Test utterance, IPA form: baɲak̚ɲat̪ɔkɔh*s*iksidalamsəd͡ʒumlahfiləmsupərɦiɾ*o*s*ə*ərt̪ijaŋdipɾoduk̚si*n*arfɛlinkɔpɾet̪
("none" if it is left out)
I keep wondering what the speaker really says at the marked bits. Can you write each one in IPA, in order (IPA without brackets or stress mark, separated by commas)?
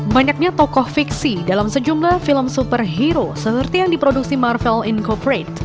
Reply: f, o, ə, m